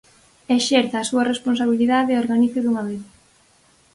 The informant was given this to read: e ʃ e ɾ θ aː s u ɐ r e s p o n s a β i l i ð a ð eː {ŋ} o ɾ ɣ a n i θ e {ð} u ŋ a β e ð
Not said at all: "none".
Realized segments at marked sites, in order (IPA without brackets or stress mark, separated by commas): none, ð